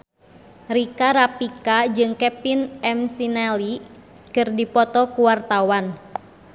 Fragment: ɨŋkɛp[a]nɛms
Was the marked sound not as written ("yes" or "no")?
yes